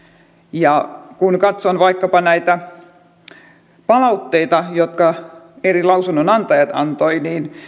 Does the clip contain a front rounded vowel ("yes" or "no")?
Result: no